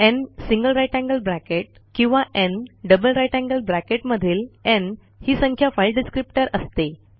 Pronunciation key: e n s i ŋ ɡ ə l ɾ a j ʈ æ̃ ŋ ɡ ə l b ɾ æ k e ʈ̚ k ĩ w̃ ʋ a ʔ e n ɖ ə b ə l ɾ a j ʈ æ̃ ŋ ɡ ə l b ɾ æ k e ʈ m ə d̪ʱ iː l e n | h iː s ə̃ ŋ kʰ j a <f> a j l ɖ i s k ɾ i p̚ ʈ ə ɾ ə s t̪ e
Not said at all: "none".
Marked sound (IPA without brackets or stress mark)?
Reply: f